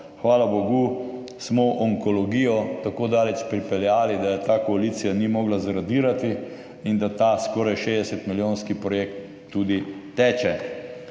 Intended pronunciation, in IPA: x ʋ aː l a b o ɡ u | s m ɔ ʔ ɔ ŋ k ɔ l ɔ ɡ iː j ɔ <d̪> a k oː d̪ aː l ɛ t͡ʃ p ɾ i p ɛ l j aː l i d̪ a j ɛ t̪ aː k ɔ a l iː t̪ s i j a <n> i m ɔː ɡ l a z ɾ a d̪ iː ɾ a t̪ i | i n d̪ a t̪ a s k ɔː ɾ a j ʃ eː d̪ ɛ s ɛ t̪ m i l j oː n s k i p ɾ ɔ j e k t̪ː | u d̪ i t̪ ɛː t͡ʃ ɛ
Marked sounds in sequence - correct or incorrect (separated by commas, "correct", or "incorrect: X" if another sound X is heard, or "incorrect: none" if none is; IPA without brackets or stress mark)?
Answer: incorrect: t̪, correct